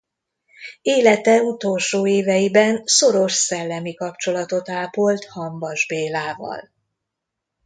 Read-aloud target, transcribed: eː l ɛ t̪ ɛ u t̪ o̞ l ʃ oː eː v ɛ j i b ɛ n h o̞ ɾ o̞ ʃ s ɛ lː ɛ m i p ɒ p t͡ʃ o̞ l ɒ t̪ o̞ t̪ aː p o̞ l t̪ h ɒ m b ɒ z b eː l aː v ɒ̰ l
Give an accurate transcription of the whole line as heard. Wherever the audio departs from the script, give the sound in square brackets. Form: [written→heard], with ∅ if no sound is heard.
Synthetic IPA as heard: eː l ɛ t̪ ɛ u t̪ o̞ l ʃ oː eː v ɛ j i b ɛ n [h→s] o̞ ɾ o̞ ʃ s ɛ lː ɛ m i [p→k] ɒ p t͡ʃ o̞ l ɒ t̪ o̞ t̪ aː p o̞ l t̪ h ɒ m b ɒ [z→ʒ] b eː l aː v ɒ̰ l